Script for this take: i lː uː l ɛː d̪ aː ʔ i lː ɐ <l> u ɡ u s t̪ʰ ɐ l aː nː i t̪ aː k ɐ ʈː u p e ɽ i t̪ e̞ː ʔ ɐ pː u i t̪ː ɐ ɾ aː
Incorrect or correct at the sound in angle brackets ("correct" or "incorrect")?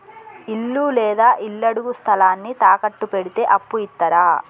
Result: incorrect